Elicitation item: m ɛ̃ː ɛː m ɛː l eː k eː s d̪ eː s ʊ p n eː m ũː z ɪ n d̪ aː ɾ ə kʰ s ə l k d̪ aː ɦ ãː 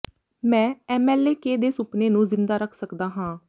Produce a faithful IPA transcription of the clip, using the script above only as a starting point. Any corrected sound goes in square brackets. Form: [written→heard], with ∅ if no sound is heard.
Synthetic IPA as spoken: m ɛ̃ː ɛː m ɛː l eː k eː [s→∅] d̪ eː s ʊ p n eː [m→n] ũː z ɪ n d̪ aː ɾ ə kʰ s ə [l→∅] k d̪ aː ɦ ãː